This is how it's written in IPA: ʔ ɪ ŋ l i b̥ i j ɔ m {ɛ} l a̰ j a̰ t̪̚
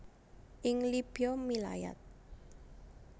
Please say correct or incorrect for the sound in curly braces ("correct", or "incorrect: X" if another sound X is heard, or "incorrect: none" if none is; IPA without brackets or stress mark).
incorrect: i